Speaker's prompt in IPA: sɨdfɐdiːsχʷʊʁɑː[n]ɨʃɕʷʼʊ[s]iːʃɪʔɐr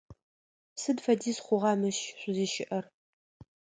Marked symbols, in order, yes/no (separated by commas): no, no